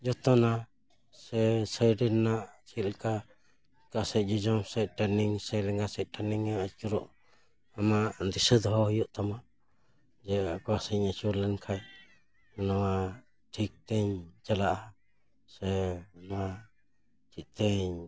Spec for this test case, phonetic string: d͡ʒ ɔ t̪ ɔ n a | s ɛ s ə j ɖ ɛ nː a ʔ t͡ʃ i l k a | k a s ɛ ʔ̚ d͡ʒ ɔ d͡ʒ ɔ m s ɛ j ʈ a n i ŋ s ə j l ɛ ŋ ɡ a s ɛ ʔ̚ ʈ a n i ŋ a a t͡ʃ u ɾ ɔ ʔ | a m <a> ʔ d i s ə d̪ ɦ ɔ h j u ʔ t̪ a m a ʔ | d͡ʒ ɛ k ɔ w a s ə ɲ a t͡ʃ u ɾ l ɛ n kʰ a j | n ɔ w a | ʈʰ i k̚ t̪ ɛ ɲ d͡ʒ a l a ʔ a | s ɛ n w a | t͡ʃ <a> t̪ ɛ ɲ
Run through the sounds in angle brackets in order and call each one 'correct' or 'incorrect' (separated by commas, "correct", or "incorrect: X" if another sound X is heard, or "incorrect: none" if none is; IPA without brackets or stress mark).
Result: correct, incorrect: i